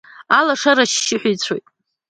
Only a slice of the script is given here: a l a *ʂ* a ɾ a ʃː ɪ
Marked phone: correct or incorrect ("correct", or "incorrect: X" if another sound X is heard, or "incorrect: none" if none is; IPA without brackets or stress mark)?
correct